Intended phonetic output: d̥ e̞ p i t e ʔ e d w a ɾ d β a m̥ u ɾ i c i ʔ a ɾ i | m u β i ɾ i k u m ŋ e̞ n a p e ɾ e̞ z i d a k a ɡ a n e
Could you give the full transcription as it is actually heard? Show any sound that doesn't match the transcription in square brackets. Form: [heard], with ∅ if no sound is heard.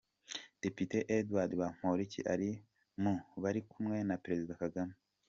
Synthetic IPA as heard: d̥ e̞ p i t e ʔ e d w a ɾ d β a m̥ [o] ɾ i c i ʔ a ɾ i | m u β [a] ɾ i k u m ŋ e̞ n a p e ɾ e̞ z i d a k a ɡ a [m] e